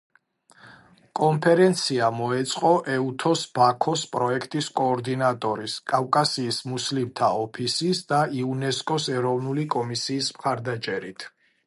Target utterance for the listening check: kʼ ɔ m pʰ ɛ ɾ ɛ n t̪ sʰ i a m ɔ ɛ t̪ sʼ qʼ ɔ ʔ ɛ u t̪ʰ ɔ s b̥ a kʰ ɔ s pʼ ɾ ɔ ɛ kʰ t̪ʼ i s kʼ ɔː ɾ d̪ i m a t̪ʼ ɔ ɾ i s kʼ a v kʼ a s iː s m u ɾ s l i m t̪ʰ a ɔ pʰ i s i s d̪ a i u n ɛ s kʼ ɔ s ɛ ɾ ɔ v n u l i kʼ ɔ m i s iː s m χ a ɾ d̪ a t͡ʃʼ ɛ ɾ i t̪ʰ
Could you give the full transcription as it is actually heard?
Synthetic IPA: kʼ ɔ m pʰ ɛ ɾ ɛ n t̪ sʰ i a m ɔ ɛ t̪ sʼ qʼ ɔ ʔ ɛ u t̪ʰ ɔ s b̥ a kʰ ɔ s pʼ ɾ ɔ ɛ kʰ t̪ʼ i s kʼ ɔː ɾ d̪ i n a t̪ʼ ɔ ɾ i s kʼ a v kʼ a s iː s m u s l i m t̪ʰ a ɔ pʰ i s i s d̪ a i u n ɛ s kʼ ɔ s ɛ ɾ ɔ v n u l i kʼ ɔ m i s iː s m χ a ɾ d̪ a t͡ʃʼ ɛ ɾ i t̪ʰ